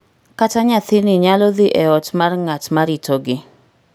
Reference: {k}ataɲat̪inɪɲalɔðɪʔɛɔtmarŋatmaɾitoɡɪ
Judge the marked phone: correct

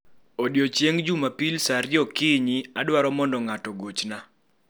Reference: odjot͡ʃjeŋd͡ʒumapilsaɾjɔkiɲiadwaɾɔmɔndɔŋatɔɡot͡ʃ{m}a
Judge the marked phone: incorrect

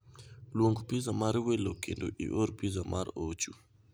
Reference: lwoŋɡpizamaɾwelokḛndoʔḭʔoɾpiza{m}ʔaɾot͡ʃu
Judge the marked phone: correct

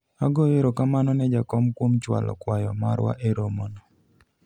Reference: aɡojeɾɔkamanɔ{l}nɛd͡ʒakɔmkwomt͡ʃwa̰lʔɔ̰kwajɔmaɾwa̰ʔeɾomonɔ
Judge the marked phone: incorrect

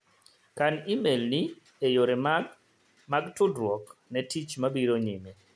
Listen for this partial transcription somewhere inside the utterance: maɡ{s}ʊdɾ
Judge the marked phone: incorrect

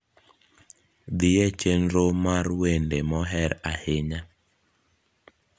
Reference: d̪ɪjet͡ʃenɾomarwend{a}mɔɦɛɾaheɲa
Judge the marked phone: incorrect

